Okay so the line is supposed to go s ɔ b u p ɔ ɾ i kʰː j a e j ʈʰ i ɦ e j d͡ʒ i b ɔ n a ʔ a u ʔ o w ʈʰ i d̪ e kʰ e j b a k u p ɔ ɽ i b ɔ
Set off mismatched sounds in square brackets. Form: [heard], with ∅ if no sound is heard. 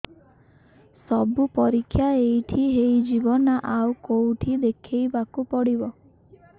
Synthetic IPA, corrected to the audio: s ɔ b u p ɔ ɾ i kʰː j a e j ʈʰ i ɦ e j d͡ʒ i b ɔ n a ʔ a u [k] o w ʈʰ i d̪ e kʰ e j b a k u p ɔ ɽ i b ɔ